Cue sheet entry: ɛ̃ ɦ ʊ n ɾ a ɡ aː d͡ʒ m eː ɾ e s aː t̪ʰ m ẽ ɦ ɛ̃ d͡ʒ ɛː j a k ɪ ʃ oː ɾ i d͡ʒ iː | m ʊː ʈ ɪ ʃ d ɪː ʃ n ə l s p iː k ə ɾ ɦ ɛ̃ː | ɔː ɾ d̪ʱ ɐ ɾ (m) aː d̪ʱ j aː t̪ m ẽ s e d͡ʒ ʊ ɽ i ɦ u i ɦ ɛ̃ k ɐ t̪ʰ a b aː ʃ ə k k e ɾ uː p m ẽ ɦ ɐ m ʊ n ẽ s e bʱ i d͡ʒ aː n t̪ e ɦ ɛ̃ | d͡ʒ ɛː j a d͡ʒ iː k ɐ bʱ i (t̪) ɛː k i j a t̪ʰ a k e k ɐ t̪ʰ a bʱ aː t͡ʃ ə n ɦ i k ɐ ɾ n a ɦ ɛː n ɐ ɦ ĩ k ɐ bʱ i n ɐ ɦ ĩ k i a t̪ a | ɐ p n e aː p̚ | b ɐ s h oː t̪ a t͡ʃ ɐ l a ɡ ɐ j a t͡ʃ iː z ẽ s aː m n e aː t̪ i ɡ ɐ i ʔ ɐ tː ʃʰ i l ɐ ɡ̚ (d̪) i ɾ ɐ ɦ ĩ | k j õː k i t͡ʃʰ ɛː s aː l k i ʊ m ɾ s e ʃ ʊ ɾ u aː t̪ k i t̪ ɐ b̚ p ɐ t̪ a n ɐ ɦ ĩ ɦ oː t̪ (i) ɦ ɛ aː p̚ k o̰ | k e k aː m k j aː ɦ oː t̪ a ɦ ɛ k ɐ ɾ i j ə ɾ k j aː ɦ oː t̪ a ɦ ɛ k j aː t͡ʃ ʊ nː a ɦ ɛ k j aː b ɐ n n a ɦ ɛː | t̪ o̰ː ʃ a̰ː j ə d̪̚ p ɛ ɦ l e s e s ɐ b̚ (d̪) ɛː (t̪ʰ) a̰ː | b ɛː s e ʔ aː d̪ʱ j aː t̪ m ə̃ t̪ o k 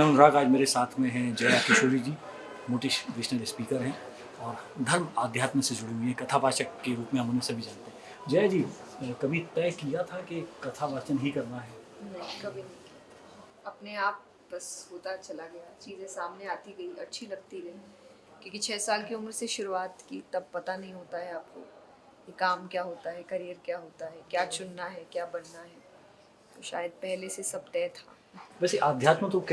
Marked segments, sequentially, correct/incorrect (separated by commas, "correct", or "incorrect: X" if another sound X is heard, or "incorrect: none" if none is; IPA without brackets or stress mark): correct, correct, incorrect: t̪, incorrect: a, incorrect: t̪, correct